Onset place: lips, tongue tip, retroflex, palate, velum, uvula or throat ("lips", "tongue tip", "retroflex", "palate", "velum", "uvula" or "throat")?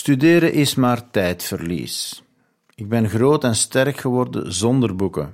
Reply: tongue tip